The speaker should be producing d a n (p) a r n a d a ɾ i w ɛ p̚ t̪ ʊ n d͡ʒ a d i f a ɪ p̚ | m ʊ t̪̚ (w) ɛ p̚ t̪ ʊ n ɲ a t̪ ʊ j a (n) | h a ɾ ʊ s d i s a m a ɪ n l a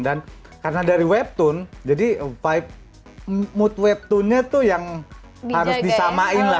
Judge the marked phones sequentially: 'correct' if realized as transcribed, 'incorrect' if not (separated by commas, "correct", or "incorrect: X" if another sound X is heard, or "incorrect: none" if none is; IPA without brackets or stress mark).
incorrect: k, correct, incorrect: ŋ